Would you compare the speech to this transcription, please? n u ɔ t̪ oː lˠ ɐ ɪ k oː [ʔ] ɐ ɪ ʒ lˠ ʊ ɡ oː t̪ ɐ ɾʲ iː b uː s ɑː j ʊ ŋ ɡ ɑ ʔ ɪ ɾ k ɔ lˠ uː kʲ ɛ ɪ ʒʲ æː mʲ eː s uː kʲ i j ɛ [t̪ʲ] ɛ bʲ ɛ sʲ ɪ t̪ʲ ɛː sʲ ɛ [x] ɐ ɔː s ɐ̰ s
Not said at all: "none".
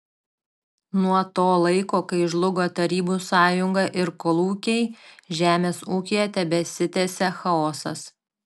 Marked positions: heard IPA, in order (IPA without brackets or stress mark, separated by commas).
k, t̪ʲ, x